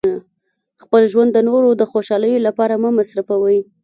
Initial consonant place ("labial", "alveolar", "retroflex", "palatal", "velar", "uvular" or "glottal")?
velar